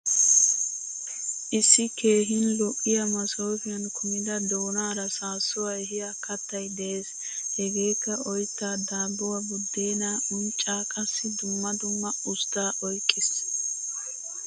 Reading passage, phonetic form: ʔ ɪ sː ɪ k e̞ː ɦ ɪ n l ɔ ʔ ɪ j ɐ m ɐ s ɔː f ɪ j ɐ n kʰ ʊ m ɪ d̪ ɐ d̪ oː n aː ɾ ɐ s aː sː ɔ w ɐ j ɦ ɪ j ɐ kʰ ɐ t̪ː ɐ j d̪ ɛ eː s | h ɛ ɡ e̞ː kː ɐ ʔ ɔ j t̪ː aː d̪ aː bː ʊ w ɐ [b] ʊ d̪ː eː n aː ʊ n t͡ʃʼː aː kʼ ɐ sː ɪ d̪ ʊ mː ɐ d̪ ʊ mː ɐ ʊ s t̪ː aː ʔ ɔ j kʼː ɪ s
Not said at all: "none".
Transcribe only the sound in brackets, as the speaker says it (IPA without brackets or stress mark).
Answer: b